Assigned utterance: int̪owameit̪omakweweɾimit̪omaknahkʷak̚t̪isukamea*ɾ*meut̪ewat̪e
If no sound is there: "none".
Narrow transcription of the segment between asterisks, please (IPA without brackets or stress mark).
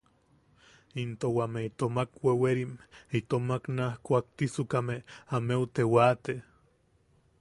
none